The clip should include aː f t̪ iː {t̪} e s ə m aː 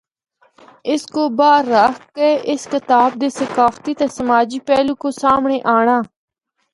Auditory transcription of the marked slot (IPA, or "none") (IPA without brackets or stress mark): t̪